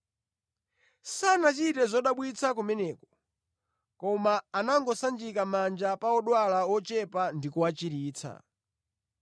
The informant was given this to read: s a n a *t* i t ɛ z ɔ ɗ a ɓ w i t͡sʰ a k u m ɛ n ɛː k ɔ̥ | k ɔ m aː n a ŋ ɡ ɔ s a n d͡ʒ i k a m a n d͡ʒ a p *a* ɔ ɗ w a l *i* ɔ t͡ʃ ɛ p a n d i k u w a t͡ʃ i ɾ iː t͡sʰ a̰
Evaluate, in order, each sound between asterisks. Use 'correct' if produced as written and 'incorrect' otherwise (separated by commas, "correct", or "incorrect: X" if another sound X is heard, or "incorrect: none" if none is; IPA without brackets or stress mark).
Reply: incorrect: t͡ʃ, correct, incorrect: a